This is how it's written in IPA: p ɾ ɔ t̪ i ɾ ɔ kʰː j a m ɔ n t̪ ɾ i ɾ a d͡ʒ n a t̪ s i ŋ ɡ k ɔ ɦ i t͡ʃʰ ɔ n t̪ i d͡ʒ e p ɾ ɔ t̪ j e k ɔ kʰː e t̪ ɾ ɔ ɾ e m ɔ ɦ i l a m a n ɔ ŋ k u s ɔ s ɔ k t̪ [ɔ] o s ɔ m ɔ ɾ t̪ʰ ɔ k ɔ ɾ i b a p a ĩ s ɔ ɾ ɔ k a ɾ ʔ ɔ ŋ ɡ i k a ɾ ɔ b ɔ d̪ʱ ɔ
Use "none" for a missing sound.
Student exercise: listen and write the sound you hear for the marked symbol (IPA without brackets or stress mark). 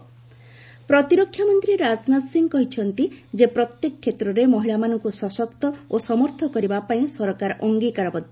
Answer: ɔ